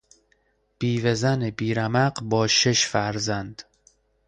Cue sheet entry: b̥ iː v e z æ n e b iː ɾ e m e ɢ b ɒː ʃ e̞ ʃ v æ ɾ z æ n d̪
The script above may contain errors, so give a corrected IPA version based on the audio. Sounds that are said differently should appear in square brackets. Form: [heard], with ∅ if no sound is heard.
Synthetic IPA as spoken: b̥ iː v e z æ n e b iː ɾ [æ] m [æ] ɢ b ɒː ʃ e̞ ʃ [f] æ ɾ z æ n d̪